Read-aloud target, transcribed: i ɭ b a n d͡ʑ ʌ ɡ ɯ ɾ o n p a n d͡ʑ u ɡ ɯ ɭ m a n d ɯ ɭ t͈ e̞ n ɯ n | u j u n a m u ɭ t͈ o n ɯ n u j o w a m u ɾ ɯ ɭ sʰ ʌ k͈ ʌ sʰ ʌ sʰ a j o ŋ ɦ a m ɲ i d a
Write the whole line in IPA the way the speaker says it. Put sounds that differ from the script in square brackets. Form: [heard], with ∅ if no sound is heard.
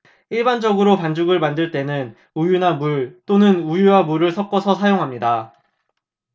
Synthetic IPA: i ɭ b a n d͡ʑ ʌ ɡ ɯ ɾ o [∅] p a n d͡ʑ u ɡ ɯ ɭ m a n d ɯ ɭ t͈ e̞ n ɯ n | u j u n a m u ɭ t͈ o n ɯ n u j [u] w a m u ɾ ɯ ɭ sʰ ʌ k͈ ʌ sʰ ʌ sʰ a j o ŋ ɦ a m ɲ i d a